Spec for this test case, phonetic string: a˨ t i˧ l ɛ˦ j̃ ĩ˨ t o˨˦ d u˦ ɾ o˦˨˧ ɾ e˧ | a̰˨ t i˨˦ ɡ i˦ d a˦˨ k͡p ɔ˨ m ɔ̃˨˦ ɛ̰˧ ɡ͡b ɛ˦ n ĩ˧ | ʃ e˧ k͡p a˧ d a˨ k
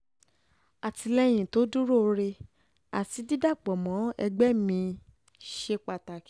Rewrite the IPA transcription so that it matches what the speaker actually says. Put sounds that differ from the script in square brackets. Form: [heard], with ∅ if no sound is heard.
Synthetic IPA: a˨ t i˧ l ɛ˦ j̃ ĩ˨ t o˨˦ d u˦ ɾ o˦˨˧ ɾ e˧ | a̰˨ t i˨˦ [d] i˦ d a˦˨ k͡p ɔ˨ m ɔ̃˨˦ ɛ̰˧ ɡ͡b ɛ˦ [m] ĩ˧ | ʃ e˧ k͡p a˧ [t] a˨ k